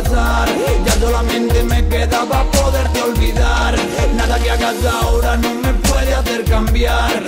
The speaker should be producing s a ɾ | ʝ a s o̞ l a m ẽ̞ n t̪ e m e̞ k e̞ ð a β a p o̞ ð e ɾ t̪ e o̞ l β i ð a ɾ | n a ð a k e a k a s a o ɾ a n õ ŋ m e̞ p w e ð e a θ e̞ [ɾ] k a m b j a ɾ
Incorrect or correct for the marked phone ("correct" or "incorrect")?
correct